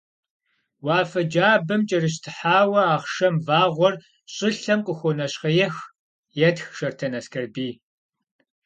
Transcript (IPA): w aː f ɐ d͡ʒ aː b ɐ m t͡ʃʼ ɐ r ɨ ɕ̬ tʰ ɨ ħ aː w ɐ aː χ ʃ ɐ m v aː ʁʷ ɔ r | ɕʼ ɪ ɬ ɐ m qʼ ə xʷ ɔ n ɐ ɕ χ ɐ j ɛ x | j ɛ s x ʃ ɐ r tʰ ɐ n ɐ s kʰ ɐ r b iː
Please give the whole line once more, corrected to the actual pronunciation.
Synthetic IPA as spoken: w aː f ɐ d͡ʒ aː b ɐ m t͡ʃʼ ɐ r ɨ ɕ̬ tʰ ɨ ħ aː w ɐ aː χ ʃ ɐ m v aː ʁʷ ɔ r | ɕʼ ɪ ɬ ɐ m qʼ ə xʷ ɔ n ɐ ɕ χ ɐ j ɛ x | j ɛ t x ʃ ɐ r tʰ ɐ n ɐ s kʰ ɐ r b iː